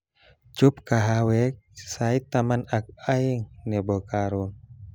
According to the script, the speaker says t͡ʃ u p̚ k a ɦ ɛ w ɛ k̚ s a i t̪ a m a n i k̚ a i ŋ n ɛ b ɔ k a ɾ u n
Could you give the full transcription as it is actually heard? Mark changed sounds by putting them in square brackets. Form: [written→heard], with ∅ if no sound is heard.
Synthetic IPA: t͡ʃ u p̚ k a ɦ [ɛ→a] w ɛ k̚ s a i t̪ a m a n [i→a] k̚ a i ŋ n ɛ b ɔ k a ɾ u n